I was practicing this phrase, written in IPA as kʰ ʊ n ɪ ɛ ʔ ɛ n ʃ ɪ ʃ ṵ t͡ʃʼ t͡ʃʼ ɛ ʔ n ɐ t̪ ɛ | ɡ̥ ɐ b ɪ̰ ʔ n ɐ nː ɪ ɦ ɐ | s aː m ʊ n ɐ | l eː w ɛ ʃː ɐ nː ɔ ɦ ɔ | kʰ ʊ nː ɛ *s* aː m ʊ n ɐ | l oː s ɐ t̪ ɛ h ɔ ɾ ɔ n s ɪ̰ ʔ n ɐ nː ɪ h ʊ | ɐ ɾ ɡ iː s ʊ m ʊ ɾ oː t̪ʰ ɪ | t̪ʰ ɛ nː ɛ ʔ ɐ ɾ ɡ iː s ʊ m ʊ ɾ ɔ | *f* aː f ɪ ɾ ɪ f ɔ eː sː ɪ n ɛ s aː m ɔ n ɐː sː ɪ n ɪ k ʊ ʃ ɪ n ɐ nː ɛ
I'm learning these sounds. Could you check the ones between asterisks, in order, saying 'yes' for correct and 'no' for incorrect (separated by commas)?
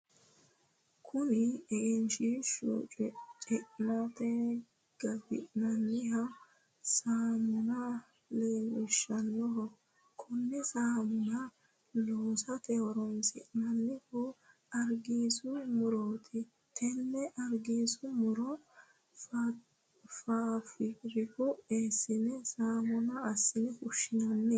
yes, yes